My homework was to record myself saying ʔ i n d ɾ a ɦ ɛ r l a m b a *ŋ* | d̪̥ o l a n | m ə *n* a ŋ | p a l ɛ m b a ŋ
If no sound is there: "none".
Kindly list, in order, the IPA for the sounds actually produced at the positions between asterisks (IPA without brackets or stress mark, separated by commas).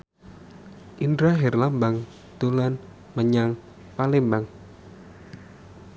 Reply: ŋ, ɲ